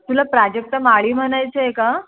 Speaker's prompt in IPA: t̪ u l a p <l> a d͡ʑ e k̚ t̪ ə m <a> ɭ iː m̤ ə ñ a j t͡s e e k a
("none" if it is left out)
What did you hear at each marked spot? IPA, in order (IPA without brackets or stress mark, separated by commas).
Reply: ɾ, a